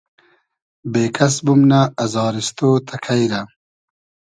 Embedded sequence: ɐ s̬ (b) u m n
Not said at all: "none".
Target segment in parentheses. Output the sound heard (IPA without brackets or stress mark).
b